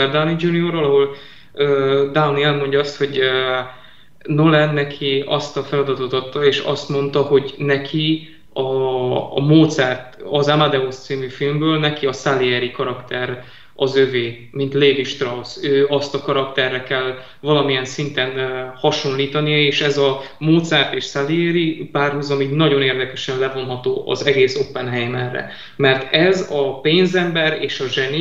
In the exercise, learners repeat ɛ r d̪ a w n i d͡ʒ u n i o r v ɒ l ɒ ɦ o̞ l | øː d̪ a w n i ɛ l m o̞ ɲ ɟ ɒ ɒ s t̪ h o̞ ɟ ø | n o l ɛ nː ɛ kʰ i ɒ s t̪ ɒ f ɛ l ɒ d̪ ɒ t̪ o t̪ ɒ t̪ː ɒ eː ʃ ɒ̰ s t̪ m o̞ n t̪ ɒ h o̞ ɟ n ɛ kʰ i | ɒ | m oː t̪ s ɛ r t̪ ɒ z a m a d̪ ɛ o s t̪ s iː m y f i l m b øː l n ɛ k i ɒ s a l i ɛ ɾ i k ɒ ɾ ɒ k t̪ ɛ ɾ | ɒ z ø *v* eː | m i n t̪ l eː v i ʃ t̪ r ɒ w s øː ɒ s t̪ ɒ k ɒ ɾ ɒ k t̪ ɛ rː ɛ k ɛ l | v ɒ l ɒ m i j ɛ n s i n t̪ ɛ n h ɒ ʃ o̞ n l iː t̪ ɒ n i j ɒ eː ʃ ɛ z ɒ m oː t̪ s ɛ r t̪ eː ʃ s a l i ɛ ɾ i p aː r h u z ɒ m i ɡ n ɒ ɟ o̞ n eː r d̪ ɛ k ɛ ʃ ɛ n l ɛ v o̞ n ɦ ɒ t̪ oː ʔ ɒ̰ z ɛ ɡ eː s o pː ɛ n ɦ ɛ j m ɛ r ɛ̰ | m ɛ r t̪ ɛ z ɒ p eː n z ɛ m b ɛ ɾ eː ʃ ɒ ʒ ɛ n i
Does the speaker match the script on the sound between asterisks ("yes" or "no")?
yes